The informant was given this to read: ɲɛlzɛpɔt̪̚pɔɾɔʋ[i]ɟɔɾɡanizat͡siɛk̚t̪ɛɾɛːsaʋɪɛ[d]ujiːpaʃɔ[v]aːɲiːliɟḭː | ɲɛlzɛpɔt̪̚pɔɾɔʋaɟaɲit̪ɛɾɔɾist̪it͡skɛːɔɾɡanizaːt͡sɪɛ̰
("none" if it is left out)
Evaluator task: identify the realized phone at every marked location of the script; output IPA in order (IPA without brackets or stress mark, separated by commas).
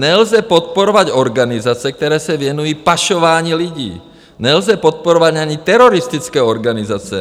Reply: a, n, ʋ